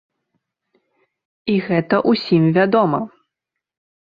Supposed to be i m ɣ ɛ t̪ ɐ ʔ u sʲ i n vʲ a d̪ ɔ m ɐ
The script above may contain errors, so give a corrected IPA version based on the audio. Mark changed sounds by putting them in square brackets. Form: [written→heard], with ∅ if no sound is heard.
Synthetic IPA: i [m→∅] ɣ ɛ t̪ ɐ ʔ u sʲ i [n→m] vʲ a d̪ ɔ m ɐ